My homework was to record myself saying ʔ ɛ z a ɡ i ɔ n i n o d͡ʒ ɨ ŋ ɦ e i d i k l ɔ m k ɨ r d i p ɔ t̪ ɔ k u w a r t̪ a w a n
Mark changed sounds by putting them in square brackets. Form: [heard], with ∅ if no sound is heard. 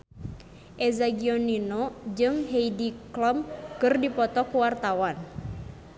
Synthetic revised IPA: ʔ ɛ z a ɡ i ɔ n i n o d͡ʒ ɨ ŋ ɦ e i d i k l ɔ m k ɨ r d i p ɔ t̪ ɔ k u w a r t̪ a w a n